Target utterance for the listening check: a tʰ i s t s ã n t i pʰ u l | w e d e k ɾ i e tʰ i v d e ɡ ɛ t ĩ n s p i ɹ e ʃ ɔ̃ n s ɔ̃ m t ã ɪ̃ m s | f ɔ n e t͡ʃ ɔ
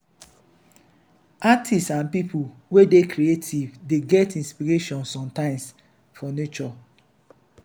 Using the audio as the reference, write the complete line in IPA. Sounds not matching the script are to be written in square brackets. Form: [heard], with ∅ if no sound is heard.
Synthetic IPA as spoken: a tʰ i s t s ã n [p] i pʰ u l | w e d e k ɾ i e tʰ i v d e ɡ ɛ t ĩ n s p i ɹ e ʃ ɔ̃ n s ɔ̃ m t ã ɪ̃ m s | f ɔ n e t͡ʃ ɔ